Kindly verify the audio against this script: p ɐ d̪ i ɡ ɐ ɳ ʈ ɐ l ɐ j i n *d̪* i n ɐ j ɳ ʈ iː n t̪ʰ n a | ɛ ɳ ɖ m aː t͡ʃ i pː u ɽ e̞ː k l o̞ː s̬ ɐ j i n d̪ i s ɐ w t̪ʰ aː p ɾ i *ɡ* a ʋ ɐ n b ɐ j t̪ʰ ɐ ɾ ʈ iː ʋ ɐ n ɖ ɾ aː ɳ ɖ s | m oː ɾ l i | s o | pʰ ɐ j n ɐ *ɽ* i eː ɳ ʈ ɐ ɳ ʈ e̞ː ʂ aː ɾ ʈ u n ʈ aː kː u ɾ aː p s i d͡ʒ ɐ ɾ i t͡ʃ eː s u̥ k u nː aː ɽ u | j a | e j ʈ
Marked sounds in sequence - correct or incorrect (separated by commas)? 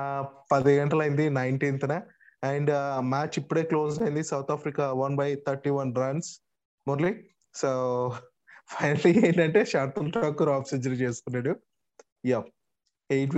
correct, incorrect, incorrect